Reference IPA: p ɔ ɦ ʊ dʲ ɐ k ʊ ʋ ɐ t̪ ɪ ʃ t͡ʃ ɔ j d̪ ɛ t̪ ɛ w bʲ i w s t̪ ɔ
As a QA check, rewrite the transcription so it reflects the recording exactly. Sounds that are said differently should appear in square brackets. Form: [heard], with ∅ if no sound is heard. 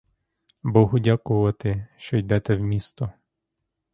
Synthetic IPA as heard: [b] ɔ ɦ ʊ dʲ [a] k ʊ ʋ ɐ t̪ ɪ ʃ t͡ʃ ɔ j d̪ ɛ t̪ ɛ w [mʲ] i [∅] s t̪ ɔ